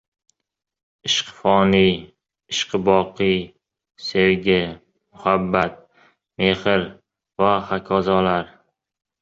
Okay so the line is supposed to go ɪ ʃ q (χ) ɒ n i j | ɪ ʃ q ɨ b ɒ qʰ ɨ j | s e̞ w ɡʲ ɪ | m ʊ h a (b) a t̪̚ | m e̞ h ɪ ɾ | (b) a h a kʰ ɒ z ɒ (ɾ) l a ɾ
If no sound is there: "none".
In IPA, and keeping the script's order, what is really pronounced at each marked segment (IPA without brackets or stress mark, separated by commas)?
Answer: f, bː, v, none